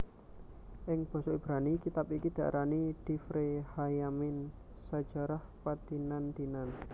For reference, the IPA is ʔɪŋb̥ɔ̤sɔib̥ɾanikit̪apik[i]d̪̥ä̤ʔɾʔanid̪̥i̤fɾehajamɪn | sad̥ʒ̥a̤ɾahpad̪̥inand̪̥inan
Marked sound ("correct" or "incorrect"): correct